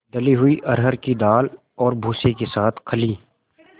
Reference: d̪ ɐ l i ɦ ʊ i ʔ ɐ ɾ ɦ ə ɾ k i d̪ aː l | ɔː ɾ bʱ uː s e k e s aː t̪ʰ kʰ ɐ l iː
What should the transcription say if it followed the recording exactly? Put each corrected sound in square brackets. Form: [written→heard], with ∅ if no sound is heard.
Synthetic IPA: d̪ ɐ l i ɦ ʊ i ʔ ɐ ɾ ɦ ə ɾ k i d̪ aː l | ɔː ɾ bʱ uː s e k e s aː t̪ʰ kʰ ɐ l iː